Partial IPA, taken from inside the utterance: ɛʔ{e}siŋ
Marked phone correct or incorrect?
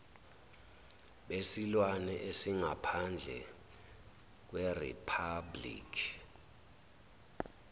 correct